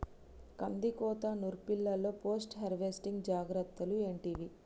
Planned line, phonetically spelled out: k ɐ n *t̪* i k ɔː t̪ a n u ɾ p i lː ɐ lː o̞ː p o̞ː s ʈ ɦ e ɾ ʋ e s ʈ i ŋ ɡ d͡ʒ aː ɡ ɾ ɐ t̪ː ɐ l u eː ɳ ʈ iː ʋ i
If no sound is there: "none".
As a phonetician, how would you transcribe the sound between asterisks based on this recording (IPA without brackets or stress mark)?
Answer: d̪